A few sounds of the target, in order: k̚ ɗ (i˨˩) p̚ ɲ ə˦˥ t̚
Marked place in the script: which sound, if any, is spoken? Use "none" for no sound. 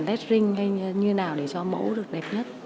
ɛ˨˩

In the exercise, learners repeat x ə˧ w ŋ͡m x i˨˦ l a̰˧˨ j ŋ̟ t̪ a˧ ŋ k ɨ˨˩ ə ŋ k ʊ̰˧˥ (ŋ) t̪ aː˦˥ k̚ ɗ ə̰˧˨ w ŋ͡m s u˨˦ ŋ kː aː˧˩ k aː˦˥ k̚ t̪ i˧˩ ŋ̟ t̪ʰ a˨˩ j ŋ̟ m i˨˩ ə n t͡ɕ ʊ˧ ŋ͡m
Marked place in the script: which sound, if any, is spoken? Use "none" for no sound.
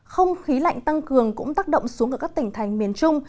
ŋ͡m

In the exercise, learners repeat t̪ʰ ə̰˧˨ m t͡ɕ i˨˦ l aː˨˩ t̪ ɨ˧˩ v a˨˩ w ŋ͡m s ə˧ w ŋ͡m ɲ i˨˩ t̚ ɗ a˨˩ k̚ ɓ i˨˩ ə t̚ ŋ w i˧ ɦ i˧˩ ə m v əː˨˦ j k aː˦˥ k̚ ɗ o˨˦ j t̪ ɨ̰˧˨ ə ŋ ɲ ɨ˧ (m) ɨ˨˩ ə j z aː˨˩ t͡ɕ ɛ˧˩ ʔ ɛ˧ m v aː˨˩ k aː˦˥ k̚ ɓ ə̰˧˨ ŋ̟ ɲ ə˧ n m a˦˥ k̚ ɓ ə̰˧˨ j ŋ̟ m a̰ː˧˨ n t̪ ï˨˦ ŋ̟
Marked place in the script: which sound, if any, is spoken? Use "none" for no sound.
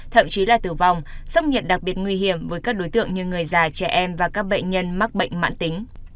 ŋ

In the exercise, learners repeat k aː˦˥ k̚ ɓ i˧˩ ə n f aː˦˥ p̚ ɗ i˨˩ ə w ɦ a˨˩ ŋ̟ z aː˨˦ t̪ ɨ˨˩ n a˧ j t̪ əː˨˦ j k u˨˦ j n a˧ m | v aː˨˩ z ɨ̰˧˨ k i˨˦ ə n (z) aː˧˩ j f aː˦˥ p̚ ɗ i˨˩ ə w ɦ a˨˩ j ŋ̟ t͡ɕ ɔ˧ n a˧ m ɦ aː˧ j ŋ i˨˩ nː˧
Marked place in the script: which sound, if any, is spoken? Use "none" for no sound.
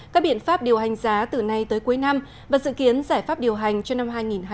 z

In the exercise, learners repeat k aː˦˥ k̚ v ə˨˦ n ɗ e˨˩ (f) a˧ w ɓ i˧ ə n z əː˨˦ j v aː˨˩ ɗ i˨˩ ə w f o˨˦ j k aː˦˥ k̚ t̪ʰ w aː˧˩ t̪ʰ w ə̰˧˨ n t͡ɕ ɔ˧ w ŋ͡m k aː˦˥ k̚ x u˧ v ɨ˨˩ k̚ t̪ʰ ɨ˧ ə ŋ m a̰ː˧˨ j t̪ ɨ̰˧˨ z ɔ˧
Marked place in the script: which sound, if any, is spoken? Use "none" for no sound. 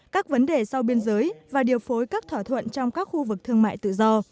s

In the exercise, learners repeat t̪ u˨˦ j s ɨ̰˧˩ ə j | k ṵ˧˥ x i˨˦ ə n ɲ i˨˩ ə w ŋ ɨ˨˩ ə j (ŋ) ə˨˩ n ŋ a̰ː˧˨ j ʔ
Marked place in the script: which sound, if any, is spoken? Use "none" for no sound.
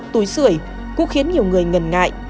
ŋ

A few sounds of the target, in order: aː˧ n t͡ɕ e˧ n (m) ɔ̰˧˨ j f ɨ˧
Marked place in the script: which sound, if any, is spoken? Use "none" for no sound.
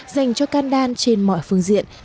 m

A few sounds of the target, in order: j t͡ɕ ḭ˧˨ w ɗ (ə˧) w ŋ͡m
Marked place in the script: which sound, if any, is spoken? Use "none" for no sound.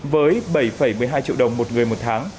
ə˨˩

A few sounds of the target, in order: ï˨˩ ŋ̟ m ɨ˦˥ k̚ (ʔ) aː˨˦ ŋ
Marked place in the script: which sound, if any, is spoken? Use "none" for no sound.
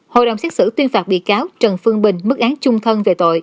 ʔ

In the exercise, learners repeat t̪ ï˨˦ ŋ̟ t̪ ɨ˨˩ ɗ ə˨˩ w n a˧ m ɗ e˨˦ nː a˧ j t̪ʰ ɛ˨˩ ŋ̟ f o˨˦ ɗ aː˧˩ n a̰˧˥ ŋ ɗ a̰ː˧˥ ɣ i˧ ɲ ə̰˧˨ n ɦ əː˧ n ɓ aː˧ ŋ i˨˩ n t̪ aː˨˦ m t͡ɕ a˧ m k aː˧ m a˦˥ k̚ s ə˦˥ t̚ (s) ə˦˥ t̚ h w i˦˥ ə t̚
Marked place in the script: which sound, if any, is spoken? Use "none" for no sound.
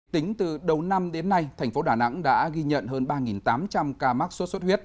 s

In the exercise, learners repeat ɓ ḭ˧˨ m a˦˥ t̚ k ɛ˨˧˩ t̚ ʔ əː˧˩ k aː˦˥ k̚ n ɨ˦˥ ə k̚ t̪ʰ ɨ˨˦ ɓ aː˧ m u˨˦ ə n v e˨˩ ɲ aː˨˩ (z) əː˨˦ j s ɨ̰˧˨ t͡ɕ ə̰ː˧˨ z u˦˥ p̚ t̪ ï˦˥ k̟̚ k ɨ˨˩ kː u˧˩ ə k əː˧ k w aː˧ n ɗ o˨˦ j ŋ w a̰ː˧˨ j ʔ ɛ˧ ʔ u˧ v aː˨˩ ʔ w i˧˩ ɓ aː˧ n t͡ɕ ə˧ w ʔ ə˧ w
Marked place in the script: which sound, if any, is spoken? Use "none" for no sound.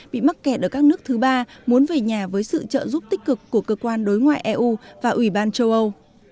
v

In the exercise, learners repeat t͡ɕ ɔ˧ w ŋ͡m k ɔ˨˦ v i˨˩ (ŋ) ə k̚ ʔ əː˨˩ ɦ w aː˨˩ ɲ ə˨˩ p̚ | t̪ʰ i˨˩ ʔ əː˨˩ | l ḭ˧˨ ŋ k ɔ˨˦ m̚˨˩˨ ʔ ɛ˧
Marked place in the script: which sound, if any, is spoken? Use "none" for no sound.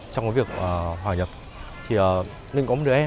none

